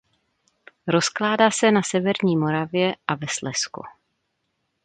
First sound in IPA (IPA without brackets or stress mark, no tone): ɾ